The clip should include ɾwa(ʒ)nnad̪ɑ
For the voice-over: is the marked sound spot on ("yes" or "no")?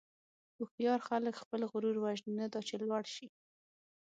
yes